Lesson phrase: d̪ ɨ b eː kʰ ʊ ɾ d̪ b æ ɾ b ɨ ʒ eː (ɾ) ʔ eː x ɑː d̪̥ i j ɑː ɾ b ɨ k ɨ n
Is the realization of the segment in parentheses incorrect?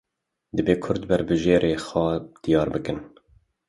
no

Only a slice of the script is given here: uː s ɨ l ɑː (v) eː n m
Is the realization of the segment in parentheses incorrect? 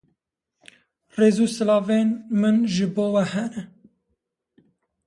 no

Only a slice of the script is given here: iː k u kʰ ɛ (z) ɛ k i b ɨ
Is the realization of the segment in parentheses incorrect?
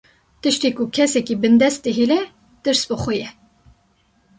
yes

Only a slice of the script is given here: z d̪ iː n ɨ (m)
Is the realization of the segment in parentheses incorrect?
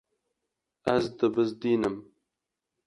no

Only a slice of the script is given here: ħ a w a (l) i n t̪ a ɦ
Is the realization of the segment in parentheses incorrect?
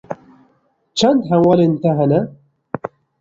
no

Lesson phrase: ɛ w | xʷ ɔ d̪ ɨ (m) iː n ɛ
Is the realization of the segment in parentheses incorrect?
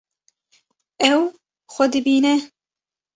yes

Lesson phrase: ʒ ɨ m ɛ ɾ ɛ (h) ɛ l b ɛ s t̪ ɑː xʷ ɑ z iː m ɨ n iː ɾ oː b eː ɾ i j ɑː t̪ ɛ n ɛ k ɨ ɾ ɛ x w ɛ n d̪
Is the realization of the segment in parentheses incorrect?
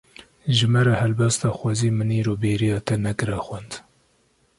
no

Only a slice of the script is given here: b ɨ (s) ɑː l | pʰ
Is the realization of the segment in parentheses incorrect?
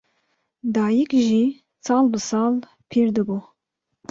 no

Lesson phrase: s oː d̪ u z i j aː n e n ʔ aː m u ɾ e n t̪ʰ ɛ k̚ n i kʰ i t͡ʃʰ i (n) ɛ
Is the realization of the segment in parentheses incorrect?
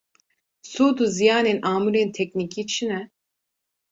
no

